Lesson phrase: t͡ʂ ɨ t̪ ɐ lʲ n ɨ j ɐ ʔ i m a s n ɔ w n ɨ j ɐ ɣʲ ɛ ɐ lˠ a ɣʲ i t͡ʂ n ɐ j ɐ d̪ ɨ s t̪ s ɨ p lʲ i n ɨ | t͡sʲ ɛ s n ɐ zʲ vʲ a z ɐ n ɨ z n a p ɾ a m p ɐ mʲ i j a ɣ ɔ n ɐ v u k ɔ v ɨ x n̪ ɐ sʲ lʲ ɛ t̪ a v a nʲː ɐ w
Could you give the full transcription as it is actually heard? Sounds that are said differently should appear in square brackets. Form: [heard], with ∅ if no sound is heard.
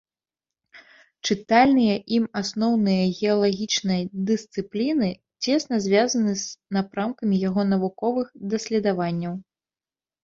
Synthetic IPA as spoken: t͡ʂ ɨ t̪ [a] lʲ n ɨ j ɐ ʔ i m a s n ɔ w n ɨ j ɐ ɣʲ ɛ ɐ lˠ a ɣʲ i t͡ʂ n ɐ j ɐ d̪ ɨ s t̪ s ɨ p lʲ i n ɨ | t͡sʲ ɛ s n ɐ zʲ vʲ a z ɐ n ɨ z n a p ɾ a m [k] ɐ mʲ i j a ɣ ɔ n ɐ v u k ɔ v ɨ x [d̪] ɐ sʲ lʲ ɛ [d̪] a v a nʲː ɐ w